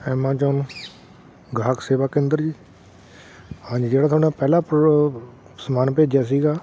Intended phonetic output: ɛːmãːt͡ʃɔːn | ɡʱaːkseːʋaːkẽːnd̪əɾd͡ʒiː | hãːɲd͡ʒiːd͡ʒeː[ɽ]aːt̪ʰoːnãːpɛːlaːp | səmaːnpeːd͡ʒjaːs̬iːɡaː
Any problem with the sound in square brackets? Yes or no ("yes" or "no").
no